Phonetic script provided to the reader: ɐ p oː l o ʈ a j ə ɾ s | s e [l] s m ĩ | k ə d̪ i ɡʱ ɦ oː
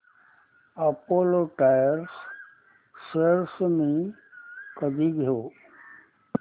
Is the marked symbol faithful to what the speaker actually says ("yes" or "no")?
no